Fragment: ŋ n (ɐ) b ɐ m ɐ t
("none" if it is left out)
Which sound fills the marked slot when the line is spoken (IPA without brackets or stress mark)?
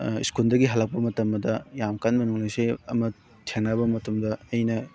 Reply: a